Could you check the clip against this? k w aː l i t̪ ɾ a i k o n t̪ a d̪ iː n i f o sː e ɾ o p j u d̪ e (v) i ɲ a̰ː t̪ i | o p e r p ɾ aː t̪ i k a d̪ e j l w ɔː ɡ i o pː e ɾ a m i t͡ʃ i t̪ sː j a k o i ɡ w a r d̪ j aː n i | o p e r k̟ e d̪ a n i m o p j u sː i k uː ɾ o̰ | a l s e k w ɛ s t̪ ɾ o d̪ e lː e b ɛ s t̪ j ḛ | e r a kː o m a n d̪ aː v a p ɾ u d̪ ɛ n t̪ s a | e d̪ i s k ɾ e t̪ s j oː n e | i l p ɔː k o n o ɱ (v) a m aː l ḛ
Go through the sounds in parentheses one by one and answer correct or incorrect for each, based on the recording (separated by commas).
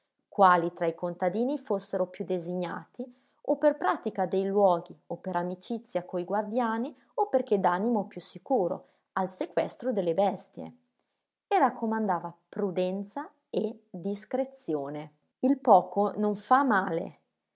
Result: incorrect, incorrect